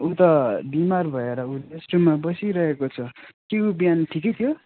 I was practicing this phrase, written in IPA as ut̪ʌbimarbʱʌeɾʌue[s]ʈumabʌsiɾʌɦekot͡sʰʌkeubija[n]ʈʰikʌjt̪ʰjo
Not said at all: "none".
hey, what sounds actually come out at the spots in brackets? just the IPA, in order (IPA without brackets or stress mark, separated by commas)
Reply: s, n